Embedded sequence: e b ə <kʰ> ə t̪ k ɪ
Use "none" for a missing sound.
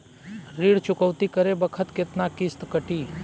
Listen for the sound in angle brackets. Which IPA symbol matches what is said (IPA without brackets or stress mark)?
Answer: kʰ